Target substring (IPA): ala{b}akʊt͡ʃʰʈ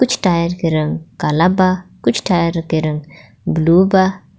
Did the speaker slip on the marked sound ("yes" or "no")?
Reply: no